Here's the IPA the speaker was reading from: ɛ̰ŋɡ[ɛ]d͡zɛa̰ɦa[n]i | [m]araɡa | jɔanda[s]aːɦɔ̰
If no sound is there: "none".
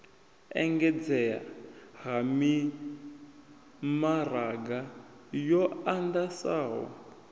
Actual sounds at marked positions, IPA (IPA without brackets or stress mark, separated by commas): ɛ, m, m, s